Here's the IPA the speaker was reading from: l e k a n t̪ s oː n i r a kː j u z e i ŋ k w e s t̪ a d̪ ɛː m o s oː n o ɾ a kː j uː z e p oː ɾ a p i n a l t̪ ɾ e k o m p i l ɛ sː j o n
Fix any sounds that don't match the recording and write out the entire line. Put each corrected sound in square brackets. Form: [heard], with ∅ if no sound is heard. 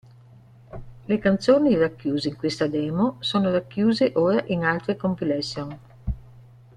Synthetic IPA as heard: l e k a n t̪ s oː n i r a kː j [uː] z e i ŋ k w e s t̪ a d̪ ɛː m o s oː n o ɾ a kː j uː z e [ʔ] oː ɾ a [ʔ] i n a l t̪ ɾ e k o m p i l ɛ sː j o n